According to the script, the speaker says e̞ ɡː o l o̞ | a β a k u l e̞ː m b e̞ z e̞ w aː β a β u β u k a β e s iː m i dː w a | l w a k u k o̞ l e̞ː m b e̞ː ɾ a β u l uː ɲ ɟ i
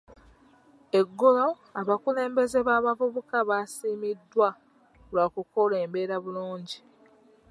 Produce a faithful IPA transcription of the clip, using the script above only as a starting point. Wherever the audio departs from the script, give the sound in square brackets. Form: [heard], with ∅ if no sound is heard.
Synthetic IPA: e̞ ɡː o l o̞ | a β a k u l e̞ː m b e̞ z e̞ [β] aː β a [v] u β u k a β [a] s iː m i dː w a | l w a k u k o̞ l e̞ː m b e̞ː ɾ a β u l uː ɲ ɟ i